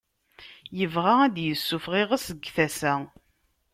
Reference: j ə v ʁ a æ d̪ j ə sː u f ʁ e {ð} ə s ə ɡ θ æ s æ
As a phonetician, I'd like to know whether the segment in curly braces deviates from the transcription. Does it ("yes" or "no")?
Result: yes